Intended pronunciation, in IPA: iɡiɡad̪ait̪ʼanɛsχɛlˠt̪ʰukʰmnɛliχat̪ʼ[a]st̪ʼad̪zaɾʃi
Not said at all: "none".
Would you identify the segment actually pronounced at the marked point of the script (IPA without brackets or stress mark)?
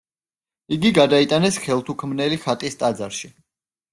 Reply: i